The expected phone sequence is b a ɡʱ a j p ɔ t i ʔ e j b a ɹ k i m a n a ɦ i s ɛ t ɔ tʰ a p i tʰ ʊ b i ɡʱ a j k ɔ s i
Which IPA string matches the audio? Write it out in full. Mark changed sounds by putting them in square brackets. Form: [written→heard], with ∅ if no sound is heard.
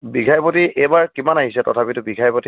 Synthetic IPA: b [a→i] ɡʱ a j p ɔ t i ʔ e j b a ɹ k i m a n a ɦ i s ɛ t ɔ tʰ a p i [tʰ→t] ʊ b i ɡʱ a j [k→p] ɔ [s→t] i